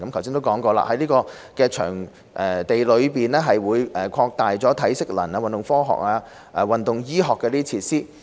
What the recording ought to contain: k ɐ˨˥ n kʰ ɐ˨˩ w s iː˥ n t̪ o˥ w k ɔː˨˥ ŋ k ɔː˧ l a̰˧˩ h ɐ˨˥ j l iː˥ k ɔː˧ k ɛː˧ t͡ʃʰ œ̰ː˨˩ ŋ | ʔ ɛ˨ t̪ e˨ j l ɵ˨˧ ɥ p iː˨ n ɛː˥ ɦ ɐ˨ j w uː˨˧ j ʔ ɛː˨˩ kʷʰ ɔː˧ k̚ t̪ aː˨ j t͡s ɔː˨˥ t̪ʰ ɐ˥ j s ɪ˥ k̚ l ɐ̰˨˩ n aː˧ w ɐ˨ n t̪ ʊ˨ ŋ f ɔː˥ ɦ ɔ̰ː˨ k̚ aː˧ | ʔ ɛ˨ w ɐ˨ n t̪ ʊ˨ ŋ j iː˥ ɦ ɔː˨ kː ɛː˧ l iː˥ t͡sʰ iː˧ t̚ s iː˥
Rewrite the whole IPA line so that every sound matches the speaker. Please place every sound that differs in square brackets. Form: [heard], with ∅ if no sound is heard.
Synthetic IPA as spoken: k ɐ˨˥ [m] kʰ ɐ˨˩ w s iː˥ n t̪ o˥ w k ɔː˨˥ ŋ k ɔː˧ l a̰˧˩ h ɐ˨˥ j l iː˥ k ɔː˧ k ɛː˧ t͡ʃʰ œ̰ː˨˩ ŋ | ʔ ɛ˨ t̪ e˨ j l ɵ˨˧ ɥ p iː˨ n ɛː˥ ɦ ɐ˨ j w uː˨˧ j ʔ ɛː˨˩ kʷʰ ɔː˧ k̚ t̪ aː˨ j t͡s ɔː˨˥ t̪ʰ [ɐ˨˥] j s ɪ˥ k̚ l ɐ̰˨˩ n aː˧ w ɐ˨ n t̪ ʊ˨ ŋ f ɔː˥ ɦ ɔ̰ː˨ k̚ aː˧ | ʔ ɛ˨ w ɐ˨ n t̪ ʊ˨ ŋ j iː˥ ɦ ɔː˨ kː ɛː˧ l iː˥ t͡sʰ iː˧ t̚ s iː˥